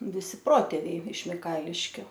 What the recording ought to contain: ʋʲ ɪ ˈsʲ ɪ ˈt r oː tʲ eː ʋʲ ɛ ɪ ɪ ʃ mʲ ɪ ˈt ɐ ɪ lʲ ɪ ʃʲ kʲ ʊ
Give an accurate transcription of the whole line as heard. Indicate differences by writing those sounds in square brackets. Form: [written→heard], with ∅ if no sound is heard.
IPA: ʋʲ ɪ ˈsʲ ɪ [ˈt→ˈp] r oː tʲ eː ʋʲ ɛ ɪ ɪ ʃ mʲ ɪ [ˈt→ˈk] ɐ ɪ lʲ ɪ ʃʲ kʲ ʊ